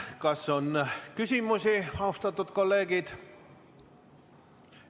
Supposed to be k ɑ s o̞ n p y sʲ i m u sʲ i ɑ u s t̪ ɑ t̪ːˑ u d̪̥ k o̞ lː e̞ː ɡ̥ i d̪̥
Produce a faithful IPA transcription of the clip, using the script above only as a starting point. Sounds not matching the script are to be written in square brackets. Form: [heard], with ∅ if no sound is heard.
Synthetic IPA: k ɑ s o̞ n [k] y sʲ i m u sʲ i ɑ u s t̪ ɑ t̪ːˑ u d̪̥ k o̞ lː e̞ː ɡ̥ i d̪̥